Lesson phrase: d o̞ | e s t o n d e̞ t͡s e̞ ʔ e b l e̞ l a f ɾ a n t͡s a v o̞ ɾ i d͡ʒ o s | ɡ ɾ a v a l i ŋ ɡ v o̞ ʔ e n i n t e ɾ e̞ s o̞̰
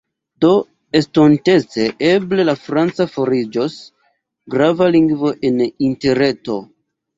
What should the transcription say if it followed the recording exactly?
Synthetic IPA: d o̞ | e s t o n t e̞ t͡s e̞ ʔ e b l e̞ l a f ɾ a n t͡s a f o̞ ɾ i d͡ʒ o s | ɡ ɾ a v a l i ŋ ɡ v o̞ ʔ e n i n t e ɾ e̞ t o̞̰